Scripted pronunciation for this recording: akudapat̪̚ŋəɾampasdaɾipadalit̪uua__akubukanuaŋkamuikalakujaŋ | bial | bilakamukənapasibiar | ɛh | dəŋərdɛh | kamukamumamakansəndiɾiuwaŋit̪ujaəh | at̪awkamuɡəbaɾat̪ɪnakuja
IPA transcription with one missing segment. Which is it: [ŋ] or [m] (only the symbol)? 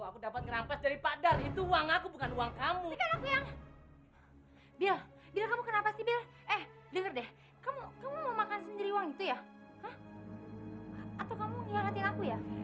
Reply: ŋ